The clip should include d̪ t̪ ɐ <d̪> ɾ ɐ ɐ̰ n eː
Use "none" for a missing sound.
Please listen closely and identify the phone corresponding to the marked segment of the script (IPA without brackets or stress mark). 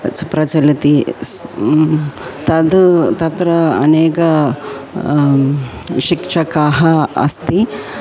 t̪